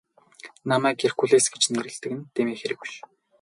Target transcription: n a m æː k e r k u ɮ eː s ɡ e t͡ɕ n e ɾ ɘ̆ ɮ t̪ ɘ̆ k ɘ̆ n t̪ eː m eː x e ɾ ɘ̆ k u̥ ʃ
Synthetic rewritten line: n a m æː k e r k u ɮ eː s ɡ e t͡ɕ n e ɾ ɘ̆ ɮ t̪ ɘ̆ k ɘ̆ n t̪ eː m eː x e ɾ ɘ̆ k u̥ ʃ

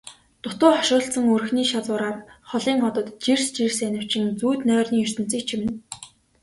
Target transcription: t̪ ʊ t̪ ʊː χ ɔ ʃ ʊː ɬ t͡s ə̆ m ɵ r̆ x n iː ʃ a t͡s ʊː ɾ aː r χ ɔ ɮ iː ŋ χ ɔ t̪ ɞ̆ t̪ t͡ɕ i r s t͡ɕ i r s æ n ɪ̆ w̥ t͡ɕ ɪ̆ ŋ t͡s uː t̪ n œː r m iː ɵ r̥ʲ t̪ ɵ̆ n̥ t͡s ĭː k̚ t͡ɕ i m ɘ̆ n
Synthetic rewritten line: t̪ ʊ t̪ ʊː χ ɔ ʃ ʊː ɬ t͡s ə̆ ŋ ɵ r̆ x n iː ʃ a t͡s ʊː ɾ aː r χ ɔ ɮ iː ŋ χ ɔ t̪ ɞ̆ t̪ t͡ɕ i r s t͡ɕ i r s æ n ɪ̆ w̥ t͡ɕ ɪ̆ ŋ t͡s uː t̪ n œː r n iː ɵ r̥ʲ t̪ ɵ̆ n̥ t͡s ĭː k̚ t͡ɕʰ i m ɘ̆ n

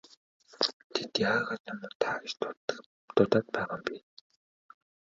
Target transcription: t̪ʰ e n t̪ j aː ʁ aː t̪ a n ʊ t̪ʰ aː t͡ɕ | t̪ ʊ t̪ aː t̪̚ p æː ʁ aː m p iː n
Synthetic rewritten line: t̪ʰ e t̪ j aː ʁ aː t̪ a m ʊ t̪ʰ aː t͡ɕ | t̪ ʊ t̪ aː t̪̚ p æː ʁ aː m p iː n

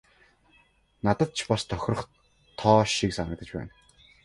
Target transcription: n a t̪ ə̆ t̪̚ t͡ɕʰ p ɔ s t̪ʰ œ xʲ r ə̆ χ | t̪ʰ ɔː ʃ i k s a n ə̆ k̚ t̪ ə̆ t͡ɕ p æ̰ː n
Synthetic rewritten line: n a t̪ ə̆ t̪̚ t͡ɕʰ p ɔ s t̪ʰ œ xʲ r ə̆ χ | t̪ʰ ɔː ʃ i k s a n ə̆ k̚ t̪ ə̆ t͡ɕ p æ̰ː n

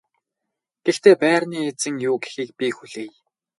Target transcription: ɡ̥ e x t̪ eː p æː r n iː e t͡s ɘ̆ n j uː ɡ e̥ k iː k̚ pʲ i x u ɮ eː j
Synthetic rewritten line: ɡ̥ e x t̪ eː p æː r n iː e t͡s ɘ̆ ŋ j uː ɡ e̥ x iː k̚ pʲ i x u ɮ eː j

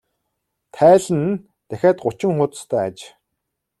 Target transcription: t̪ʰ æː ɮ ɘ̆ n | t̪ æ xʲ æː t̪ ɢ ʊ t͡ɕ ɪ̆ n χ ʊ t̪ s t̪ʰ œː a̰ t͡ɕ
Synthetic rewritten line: t̪ʰ æː ɮ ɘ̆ n | t̪ æ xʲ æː t̪ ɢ ʊ t͡ɕ ɪ̆ ŋ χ ʊ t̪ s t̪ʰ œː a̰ t͡ɕ

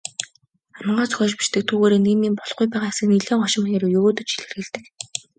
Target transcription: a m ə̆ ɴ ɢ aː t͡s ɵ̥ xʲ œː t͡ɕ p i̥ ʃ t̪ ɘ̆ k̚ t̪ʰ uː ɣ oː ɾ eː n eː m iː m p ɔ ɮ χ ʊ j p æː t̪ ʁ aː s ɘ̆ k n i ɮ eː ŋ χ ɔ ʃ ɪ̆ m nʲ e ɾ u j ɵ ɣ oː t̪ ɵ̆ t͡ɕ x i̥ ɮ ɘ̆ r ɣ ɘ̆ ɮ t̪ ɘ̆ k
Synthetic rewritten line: a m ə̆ ɴ ɢ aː t͡s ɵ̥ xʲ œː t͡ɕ p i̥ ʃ t̪ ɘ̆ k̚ t̪ʰ uː ɣ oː ɾ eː n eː m iː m p ɔ ɮ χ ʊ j p æː ʁ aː s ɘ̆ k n i ɮ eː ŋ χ ɔ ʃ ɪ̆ m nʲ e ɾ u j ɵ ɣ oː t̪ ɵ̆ t͡ɕ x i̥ ɮ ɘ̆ r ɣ ɘ̆ ɮ t̪ ɘ̆ k

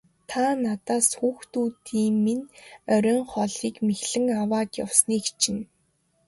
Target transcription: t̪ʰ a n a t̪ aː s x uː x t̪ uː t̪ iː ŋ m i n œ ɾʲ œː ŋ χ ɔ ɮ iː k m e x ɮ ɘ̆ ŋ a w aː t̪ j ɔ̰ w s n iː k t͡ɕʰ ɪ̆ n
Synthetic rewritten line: t̪ʰ a n a t̪ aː s x uː x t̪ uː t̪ iː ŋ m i n œ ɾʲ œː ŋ χ ɔ ɮ iː k m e x ɮ ɘ̆ ŋ a w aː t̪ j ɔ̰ w s n iː k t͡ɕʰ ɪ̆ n

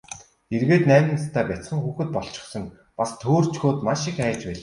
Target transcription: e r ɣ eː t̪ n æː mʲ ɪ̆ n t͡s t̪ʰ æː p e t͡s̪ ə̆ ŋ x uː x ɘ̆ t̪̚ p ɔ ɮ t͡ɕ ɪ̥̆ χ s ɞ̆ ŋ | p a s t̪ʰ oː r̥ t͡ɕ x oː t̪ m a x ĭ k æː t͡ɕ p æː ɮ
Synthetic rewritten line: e r ɣ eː t̪ n æː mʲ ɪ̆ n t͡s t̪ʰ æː p æ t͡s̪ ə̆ ŋ x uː x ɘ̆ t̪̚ p ɔ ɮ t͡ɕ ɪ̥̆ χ s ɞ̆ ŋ | p a s t̪ʰ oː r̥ t͡ɕ x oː t̪ m a ʃ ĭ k æː t͡ɕ p æː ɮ

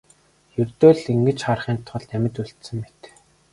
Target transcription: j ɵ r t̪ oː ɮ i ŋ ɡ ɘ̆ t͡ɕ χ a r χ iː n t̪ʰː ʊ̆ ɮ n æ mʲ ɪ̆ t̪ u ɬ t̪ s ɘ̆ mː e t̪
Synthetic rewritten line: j ɵ r t̪ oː ɮ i ŋ ɡ ɘ̆ t͡ɕ χ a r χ iː n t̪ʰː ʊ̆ ɮ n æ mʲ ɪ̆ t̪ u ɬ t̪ s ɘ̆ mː e t̪

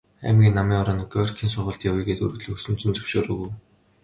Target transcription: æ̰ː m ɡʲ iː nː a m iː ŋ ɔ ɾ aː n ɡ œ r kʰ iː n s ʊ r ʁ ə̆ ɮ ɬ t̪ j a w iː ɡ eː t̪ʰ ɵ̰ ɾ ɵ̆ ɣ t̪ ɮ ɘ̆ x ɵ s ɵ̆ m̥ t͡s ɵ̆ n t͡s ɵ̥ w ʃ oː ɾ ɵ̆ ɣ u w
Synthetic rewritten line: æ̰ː m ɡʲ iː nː a m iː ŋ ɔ ɾ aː n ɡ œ r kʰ iː n s ʊ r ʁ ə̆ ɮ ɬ t̪ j a w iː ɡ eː t̪ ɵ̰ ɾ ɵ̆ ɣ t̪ ɮ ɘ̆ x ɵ s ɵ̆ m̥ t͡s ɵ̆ n t͡s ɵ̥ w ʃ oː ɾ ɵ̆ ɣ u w

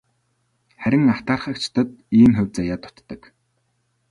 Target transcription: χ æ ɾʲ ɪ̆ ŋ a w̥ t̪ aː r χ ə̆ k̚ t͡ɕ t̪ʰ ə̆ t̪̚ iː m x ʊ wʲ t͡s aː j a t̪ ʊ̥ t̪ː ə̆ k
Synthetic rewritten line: χ æ ɾʲ ɪ̆ ŋ a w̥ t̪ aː r χ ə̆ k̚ t͡ɕ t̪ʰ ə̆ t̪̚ iː m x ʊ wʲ t͡s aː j a t̪ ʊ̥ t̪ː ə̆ k

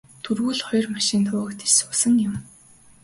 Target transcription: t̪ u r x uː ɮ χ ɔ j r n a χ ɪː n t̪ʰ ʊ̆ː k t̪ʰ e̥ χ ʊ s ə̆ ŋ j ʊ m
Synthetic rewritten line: t̪ʰ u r ɣ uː ɮ χ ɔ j r m a ʃ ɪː n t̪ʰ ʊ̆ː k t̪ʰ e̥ s ʊ s ə̆ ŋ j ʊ m

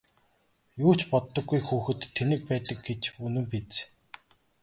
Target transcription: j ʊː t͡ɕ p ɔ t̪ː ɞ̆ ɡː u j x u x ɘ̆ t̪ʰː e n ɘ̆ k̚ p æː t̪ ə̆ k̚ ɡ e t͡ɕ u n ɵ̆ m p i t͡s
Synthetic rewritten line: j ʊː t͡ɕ p ɔ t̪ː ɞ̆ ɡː u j x uː x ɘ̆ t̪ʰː e n ɘ̆ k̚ p æː t̪ ə̆ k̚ ɡ e t͡ɕ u n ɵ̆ m p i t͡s

